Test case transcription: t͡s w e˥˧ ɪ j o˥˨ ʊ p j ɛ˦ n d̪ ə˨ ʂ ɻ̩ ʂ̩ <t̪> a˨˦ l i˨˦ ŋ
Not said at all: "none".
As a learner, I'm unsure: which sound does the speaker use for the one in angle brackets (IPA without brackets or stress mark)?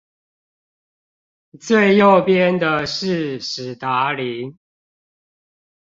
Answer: t̪